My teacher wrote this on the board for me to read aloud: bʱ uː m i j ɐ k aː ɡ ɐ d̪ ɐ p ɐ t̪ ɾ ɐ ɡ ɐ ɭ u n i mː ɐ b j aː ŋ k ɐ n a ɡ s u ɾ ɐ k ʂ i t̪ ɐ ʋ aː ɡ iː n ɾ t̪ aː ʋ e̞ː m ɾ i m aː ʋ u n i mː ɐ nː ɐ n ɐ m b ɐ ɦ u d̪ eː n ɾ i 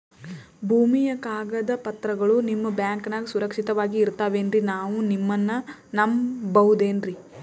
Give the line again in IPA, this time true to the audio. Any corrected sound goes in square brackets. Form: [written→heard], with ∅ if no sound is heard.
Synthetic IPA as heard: bʱ uː m i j ɐ k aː ɡ ɐ d̪ ɐ p ɐ t̪ ɾ ɐ ɡ ɐ ɭ u n i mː ɐ b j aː ŋ k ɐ n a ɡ s u ɾ ɐ k ʂ i t̪ ɐ ʋ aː ɡ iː [n→∅] ɾ t̪ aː ʋ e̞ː [m→n] ɾ i [m→n] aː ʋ u n i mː ɐ nː ɐ n ɐ m b ɐ ɦ u d̪ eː n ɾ i